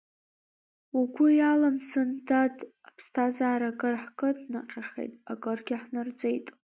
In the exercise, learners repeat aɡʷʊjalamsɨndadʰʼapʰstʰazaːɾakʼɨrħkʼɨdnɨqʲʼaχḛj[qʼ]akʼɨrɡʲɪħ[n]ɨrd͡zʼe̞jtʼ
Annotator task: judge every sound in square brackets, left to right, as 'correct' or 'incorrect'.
incorrect: tʼ, correct

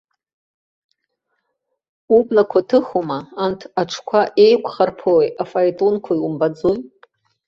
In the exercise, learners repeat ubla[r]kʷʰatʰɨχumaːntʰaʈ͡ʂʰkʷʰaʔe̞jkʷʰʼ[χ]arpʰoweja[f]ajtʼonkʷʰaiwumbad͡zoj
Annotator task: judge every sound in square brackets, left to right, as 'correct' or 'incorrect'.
incorrect: none, correct, correct

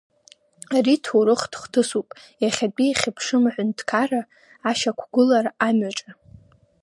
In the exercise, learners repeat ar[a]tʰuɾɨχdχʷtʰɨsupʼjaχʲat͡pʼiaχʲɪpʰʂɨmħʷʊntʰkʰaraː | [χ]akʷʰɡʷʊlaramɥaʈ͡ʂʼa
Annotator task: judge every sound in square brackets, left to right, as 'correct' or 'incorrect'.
incorrect: i, incorrect: ʃ

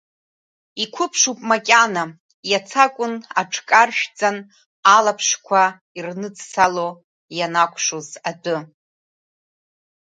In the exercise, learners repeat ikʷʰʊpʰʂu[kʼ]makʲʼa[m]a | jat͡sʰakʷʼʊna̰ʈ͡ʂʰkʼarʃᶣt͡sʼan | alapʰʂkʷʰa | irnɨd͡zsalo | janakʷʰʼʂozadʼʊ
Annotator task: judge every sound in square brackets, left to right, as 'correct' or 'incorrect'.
incorrect: pʼ, incorrect: n

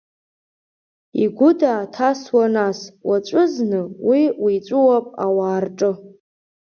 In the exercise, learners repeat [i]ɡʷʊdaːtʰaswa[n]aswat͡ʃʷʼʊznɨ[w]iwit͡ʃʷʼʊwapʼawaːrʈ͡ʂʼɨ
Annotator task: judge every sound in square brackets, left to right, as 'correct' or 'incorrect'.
correct, correct, correct

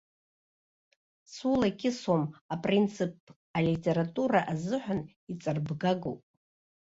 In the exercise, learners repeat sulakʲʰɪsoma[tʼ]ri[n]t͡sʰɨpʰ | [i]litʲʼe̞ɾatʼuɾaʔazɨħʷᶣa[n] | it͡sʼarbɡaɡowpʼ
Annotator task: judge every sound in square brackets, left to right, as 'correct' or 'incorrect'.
incorrect: pʼ, correct, incorrect: a, correct

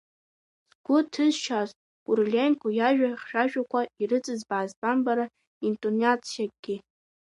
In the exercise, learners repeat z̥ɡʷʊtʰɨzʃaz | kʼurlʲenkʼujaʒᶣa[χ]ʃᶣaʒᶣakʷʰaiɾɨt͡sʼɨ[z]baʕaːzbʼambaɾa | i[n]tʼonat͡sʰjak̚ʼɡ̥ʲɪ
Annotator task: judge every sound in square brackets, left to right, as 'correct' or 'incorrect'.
correct, correct, correct

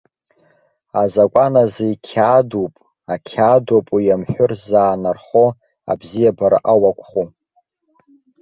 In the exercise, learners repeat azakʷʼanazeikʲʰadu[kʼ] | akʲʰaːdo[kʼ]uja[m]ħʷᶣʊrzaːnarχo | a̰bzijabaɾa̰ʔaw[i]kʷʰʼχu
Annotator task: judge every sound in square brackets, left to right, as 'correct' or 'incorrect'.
incorrect: pʼ, incorrect: pʼ, correct, incorrect: a

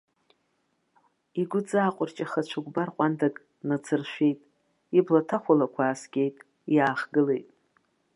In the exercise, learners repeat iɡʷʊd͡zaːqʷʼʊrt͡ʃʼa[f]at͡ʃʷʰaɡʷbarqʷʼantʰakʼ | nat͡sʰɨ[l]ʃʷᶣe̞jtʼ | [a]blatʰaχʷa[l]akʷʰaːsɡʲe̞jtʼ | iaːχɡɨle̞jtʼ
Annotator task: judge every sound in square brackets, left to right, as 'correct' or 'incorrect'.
incorrect: χ, incorrect: r, incorrect: i, correct

